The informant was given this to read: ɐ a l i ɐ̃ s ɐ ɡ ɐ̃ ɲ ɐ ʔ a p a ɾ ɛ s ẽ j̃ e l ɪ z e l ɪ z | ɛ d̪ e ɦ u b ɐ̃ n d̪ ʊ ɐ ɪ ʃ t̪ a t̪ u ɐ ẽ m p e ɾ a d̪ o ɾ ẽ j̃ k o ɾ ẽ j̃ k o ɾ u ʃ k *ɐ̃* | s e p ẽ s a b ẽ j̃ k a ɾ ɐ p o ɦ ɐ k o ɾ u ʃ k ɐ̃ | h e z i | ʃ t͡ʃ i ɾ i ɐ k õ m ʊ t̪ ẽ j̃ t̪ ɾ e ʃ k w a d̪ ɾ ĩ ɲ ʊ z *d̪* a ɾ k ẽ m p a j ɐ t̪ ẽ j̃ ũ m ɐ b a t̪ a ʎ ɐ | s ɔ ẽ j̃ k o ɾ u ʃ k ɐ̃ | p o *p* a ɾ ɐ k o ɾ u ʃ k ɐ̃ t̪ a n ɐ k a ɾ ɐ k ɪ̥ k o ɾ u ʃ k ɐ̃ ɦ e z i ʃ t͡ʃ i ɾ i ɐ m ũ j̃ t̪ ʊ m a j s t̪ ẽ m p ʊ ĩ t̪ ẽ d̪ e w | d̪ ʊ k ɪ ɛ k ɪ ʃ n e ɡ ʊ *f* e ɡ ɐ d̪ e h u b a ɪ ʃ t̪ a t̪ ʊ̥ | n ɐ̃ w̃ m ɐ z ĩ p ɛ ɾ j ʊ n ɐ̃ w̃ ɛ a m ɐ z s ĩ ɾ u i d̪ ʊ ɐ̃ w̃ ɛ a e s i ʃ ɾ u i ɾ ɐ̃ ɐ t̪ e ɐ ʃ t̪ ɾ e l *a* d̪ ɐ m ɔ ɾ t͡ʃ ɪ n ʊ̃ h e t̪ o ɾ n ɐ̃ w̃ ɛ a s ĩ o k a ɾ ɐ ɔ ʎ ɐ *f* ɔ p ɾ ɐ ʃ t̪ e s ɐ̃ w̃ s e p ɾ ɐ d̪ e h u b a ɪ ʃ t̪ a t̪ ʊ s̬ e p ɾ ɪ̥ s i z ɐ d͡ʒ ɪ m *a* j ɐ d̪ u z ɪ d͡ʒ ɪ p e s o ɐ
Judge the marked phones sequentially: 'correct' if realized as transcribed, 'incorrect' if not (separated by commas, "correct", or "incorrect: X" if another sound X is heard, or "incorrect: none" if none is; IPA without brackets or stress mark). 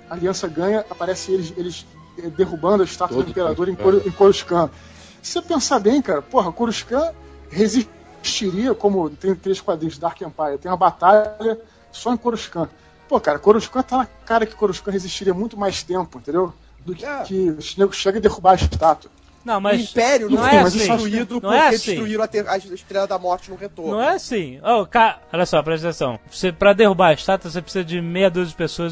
correct, correct, incorrect: k, incorrect: ʃ, incorrect: ɐ, incorrect: s, incorrect: e